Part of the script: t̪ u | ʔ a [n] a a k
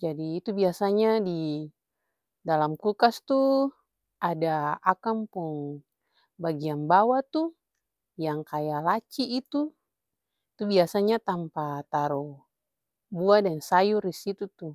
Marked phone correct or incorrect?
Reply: incorrect